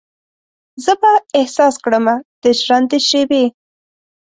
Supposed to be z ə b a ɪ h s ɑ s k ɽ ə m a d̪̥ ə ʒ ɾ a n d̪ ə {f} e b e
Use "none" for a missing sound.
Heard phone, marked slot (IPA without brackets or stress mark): ʃ